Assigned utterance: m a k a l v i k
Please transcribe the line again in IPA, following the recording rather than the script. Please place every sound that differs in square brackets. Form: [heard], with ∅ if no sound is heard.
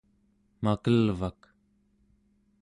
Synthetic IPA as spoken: m a k [ə] l v [a] k